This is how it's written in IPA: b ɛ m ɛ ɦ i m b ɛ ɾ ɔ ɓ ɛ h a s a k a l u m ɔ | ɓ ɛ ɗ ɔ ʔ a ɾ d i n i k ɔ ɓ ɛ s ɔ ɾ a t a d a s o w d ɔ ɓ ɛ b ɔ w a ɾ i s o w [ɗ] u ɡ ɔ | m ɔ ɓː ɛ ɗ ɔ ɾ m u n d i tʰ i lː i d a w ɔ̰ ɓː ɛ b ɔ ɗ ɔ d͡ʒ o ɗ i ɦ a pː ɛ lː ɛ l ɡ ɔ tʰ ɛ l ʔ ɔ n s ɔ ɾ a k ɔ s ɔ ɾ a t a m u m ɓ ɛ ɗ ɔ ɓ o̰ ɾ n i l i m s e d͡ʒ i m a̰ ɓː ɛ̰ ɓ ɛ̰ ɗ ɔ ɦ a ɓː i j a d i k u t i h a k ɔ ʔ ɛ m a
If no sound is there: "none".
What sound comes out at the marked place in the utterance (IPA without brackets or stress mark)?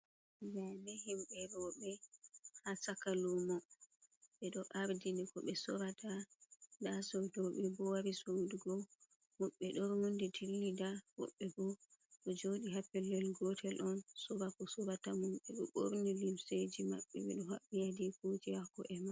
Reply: d